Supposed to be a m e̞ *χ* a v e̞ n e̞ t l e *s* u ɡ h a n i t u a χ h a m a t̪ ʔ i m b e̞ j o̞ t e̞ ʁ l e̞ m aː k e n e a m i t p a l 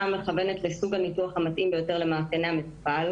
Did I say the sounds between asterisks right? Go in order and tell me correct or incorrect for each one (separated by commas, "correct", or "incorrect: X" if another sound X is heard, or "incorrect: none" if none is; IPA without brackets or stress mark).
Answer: correct, correct